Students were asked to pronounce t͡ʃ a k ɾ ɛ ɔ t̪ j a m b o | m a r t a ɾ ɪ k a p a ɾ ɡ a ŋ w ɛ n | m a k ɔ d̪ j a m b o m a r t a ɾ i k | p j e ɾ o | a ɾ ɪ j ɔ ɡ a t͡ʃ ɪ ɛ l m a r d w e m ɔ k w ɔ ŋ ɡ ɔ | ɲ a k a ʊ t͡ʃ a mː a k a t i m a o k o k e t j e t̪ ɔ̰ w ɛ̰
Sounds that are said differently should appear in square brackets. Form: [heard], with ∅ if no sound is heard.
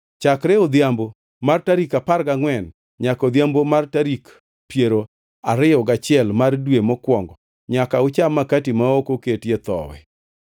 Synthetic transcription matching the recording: t͡ʃ a k ɾ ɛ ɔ [d̪] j a m b o | m a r t a ɾ [i] k a p a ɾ ɡ a ŋ w ɛ n | [ɲ] a k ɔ d̪ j a m b o m a r t a ɾ i k | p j e ɾ o | a ɾ ɪ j ɔ ɡ a t͡ʃ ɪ ɛ l m a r d w e m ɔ k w ɔ ŋ ɡ ɔ | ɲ a k a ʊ t͡ʃ a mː a k a t i m a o k o k e t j e t̪ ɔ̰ w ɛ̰